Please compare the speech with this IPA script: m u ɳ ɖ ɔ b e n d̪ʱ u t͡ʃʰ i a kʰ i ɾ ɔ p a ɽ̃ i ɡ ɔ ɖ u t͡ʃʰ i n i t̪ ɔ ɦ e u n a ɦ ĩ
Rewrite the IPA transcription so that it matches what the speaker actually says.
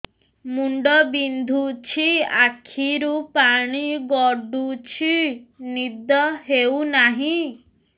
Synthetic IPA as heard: m u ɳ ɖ ɔ b i n d̪ʱ u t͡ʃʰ i a kʰ i ɾ u p a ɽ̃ i ɡ ɔ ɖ u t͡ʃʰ i n i d̪ ɔ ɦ e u n a ɦ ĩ